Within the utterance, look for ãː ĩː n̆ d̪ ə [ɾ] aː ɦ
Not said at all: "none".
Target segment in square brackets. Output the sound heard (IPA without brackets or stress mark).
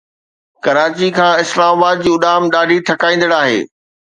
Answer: ɽ